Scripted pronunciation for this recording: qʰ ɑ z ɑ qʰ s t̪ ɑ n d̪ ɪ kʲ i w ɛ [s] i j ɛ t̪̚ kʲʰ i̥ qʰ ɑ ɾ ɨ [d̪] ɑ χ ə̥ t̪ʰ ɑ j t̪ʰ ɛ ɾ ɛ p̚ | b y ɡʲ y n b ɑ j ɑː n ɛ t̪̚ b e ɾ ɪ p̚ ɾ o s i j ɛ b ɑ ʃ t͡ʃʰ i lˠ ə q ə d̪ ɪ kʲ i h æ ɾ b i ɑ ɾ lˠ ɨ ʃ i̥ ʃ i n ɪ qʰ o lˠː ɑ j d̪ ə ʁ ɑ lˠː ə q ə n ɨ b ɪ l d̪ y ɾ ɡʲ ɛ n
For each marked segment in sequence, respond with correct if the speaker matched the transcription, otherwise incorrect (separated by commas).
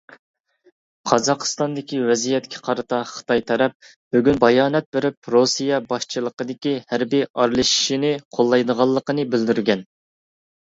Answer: incorrect, incorrect